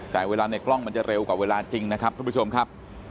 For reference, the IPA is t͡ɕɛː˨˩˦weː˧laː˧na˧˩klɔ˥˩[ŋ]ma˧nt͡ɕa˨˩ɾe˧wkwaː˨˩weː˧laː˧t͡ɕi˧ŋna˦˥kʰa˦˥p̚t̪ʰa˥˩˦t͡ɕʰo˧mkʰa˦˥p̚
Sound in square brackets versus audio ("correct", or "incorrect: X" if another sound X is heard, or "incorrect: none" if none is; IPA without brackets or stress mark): correct